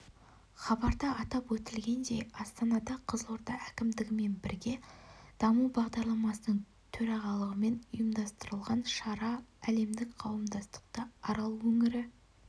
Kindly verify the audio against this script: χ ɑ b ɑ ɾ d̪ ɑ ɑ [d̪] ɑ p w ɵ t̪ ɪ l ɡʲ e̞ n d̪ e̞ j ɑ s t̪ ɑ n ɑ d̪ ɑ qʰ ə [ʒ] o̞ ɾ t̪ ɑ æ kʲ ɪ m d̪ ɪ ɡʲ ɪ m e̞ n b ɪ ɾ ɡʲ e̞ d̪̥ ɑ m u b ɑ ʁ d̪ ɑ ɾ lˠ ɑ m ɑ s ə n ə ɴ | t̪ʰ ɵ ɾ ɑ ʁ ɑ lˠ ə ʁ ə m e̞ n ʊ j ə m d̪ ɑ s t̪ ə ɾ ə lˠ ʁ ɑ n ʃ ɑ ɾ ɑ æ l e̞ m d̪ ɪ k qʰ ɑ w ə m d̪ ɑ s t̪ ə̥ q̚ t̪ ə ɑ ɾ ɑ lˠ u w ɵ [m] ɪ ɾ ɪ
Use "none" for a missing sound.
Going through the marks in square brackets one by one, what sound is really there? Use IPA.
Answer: t̪, z, ŋ

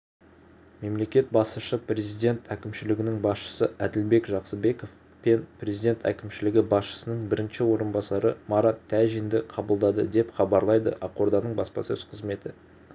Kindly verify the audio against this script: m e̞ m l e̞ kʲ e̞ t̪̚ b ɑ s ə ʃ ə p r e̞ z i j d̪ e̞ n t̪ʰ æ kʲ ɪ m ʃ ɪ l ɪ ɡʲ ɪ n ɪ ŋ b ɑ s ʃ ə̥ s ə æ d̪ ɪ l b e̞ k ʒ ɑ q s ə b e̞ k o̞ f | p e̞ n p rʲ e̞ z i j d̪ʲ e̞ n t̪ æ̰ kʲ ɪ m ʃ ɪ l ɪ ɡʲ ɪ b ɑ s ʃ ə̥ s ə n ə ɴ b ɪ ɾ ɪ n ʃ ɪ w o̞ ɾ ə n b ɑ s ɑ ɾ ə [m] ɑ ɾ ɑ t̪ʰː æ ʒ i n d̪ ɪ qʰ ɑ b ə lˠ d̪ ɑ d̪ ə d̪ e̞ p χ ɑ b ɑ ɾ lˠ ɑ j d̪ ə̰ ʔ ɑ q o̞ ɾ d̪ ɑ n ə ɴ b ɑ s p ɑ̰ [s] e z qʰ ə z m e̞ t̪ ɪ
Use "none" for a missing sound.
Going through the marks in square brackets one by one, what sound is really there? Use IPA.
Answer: m, s

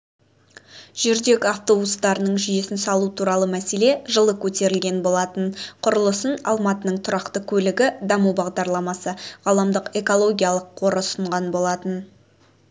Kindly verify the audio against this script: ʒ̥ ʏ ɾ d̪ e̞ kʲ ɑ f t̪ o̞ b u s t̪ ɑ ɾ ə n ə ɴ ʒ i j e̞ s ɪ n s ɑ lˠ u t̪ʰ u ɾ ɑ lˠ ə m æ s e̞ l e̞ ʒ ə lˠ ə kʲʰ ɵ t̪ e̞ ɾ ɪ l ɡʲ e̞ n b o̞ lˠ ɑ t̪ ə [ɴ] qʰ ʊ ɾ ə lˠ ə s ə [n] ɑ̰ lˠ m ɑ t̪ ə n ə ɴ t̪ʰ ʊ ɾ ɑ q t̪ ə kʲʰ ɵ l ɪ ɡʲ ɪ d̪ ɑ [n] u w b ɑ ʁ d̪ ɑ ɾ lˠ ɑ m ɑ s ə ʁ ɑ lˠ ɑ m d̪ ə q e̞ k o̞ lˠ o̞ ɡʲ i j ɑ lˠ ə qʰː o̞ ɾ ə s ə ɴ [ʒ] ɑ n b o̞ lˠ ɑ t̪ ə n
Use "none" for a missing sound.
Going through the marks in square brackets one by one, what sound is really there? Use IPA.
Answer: n, n, m, ʁ

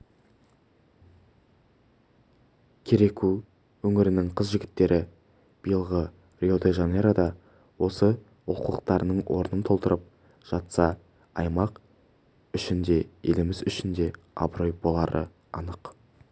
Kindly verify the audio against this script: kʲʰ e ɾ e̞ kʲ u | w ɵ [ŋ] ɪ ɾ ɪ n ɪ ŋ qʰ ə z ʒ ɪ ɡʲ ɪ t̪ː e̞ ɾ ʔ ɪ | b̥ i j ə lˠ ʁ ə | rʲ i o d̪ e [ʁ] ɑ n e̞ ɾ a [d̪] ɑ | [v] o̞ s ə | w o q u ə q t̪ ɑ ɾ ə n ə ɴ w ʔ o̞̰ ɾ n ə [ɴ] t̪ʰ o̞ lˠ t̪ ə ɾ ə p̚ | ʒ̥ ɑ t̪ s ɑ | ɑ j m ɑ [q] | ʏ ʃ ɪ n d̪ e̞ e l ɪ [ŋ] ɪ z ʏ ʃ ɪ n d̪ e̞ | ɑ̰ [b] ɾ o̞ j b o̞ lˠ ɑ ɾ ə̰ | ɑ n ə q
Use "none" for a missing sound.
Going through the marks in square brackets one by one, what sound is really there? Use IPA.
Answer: ŋ, ʒ, d̪, w, n, q, m, b

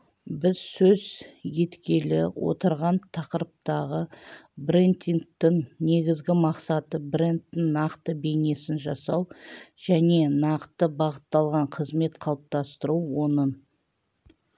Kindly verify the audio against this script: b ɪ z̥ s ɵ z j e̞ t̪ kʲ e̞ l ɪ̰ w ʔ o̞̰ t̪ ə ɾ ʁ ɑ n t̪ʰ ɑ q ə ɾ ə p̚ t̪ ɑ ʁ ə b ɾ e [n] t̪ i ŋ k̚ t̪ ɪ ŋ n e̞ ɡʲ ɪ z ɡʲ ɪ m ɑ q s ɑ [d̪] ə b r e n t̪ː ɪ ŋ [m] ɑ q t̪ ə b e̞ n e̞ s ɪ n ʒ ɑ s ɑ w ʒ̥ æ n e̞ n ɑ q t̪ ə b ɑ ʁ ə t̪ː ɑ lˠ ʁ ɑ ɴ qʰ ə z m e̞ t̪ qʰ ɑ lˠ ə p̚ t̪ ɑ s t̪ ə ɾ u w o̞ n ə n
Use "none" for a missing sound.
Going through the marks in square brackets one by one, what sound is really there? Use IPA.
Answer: n, t̪, n

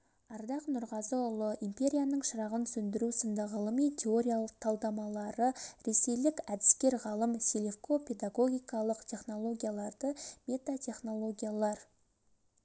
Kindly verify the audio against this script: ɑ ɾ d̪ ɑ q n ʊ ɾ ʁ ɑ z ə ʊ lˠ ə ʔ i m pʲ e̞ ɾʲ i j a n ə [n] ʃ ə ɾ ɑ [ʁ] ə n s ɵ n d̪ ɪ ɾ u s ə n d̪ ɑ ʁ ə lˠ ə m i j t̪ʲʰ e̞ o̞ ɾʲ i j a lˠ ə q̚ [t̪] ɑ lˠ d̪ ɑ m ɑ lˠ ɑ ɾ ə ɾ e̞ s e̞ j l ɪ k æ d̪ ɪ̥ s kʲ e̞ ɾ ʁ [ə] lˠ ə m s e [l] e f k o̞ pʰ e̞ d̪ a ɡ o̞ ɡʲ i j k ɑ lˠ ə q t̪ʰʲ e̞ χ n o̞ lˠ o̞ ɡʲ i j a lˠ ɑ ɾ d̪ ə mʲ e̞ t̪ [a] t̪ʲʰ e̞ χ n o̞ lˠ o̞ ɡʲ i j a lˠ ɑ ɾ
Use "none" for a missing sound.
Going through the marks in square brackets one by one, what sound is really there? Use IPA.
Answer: ɴ, ʁ, t̪ʰ, ɑ, l, a

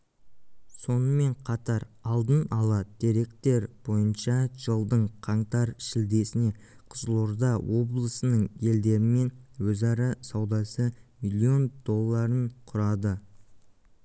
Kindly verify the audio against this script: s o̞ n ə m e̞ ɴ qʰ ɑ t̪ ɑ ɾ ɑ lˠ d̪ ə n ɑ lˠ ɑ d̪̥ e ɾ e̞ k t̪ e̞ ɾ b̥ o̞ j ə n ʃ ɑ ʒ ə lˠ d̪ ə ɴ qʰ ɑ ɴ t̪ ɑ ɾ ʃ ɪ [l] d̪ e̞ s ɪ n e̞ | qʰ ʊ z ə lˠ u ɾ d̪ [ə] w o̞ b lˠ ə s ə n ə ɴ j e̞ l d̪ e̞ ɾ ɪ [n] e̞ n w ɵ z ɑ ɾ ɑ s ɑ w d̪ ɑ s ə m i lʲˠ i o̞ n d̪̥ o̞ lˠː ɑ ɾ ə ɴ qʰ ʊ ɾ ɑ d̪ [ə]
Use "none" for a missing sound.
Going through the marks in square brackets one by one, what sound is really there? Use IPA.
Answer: l, ɑ, m, ə

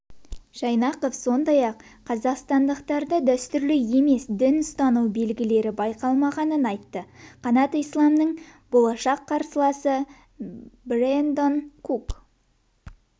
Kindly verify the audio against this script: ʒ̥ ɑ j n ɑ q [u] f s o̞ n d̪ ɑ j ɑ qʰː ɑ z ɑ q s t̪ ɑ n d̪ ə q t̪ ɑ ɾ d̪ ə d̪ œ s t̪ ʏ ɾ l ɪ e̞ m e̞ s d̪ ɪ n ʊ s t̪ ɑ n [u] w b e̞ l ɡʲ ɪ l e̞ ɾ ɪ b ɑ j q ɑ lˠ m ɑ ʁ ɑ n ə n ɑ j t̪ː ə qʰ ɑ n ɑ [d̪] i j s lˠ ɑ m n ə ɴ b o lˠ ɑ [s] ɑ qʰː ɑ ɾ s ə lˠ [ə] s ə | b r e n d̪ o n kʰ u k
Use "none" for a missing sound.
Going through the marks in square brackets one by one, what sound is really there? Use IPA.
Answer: o, u, t̪, ʃ, ɑ

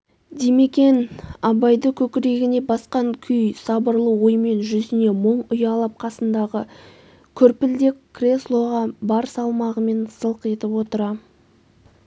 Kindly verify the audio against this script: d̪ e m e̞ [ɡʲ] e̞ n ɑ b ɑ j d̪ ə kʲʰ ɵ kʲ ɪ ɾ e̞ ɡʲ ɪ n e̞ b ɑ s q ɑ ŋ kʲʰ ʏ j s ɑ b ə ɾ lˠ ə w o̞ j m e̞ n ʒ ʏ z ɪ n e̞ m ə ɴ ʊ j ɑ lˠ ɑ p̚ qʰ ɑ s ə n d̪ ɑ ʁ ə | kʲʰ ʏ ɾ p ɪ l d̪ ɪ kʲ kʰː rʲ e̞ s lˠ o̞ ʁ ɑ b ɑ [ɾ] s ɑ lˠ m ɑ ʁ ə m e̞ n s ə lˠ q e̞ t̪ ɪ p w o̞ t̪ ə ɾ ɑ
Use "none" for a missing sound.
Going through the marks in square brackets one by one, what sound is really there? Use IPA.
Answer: kʲ, ɾ

